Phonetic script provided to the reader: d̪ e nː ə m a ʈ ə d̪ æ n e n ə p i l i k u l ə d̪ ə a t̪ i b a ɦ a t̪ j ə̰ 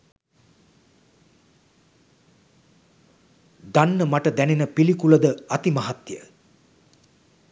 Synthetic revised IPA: d̪ a nː ə m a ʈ ə d̪ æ n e n ə p i l i k u l ə d̪ ə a t̪ i m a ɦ a t̪ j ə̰

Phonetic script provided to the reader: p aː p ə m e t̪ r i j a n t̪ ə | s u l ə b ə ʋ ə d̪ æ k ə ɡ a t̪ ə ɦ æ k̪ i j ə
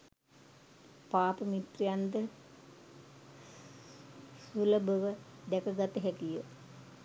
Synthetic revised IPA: p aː p ə m i t̪ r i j a n d̪ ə | s u l ə b ə ʋ ə d̪ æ k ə ɡ a t̪ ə ɦ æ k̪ i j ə

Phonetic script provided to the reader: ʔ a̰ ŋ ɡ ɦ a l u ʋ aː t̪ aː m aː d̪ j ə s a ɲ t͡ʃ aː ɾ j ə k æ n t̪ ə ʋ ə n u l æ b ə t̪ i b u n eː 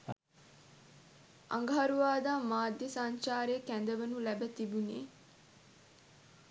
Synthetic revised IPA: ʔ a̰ ŋ ɡ ɦ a ɾ u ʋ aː d̪ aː m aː d̪ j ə s a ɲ t͡ʃ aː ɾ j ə k æ n d̪ ə ʋ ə n u l æ b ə t̪ i b u n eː

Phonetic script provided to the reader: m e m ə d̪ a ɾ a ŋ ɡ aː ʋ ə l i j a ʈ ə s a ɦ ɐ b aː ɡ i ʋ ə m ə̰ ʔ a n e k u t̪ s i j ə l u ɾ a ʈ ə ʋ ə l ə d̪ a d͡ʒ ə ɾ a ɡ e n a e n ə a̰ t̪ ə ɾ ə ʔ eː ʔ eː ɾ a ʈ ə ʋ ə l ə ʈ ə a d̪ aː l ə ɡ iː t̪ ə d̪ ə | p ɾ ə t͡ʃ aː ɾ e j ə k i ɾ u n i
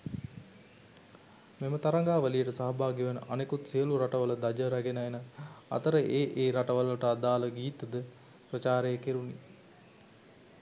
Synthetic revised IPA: m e m ə t̪ a ɾ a ŋ ɡ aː ʋ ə l i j ə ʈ ə s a ɦ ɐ b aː ɡ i ʋ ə n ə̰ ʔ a n e k u t̪ s i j ə l u ɾ a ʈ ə ʋ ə l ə d̪ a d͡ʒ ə ɾ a ɡ e n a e n ə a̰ t̪ ə ɾ ə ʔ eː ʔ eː ɾ a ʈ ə ʋ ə l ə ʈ ə a d̪ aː l ə ɡ iː t̪ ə d̪ ə | p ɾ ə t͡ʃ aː ɾ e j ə k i ɾ u n i

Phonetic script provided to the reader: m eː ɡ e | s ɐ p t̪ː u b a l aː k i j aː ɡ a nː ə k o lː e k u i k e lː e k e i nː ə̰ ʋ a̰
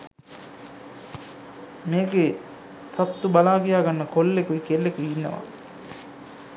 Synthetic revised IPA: m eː ɡ e | s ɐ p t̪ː u b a l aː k i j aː ɡ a nː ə k o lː e k u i k e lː e k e i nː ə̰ ʋ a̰

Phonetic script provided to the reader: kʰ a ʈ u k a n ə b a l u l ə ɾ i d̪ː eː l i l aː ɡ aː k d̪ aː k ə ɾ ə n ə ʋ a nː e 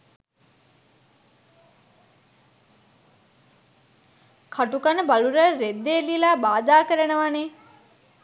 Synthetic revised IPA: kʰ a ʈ u k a n ə b a l u ɾ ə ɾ e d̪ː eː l i l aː b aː d̪ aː k ə ɾ ə n ə ʋ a n e

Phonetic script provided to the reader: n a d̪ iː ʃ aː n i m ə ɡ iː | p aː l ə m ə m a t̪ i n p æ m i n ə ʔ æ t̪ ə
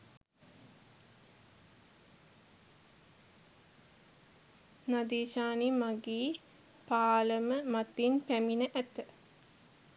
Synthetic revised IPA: n a d̪ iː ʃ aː n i m a ɡ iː | p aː l ə m ə m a t̪ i n p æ m i n ə ʔ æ t̪ ə

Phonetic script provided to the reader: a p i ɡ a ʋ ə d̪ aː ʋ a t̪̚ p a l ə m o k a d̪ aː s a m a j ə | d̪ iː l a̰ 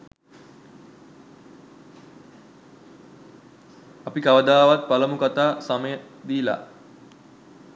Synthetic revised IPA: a p i k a ʋ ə d̪ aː ʋ a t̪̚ p a l ə m u k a t̪ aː s a m ə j ə | d̪ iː l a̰

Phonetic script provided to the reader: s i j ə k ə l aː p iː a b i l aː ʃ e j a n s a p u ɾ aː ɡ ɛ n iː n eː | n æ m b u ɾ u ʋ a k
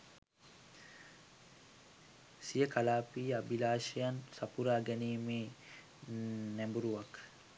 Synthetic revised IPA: s i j ə k a l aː p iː a b i l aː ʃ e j a n s a p u ɾ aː ɡ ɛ n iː m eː | n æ m b u ɾ u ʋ a k

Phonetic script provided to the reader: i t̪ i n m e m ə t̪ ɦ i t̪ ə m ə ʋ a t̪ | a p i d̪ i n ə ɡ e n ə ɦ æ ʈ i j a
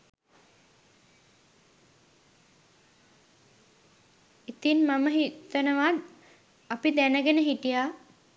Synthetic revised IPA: i t̪ i n m a m ə ɦ i t̪ ə n ə ʋ a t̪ | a p i d̪ æ n ə ɡ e n ə ɦ i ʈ i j a

